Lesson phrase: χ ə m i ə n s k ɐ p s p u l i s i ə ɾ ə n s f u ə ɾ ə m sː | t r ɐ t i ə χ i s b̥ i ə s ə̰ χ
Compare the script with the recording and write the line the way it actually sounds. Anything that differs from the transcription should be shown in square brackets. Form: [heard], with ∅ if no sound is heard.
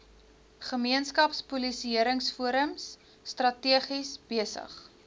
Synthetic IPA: χ ə m i ə n s k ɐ p s p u l i s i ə ɾ ə [ŋ] s f u ə ɾ ə m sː | t r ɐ t i ə χ i s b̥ i ə s ə̰ χ